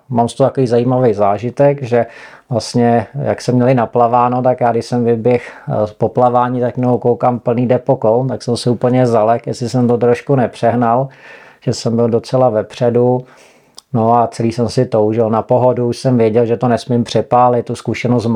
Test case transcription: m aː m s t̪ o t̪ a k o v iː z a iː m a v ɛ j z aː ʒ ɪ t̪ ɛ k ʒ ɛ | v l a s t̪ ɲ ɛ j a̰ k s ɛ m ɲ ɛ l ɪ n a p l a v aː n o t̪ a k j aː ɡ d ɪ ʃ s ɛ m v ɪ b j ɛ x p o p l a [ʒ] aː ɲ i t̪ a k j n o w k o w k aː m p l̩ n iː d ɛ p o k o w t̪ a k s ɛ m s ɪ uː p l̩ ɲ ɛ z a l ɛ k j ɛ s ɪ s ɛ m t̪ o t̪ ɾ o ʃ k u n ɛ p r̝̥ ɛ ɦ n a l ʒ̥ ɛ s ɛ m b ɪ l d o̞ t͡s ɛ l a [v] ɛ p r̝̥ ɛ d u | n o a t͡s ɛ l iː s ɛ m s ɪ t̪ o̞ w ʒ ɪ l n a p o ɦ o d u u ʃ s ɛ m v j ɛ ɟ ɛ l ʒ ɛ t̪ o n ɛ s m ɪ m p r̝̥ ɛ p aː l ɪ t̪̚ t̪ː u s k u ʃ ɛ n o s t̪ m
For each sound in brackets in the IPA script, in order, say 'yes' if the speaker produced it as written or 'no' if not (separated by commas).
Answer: no, yes